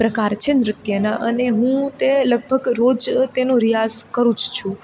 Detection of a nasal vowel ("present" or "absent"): present